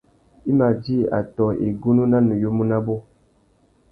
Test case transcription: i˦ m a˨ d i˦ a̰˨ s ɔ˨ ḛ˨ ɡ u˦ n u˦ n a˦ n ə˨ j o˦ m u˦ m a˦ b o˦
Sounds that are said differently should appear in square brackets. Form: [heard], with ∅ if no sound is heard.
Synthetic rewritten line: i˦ m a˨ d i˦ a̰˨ [t] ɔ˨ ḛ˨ ɡ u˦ n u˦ n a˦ n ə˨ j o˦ m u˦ [n] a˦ b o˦